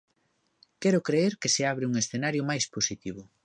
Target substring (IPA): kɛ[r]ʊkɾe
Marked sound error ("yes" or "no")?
yes